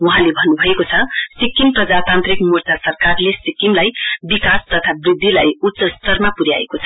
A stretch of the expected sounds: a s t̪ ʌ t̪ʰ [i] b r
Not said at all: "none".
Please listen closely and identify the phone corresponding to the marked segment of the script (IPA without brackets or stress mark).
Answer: a